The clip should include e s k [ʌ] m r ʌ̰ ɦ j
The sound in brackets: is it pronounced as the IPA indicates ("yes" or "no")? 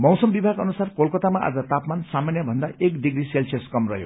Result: yes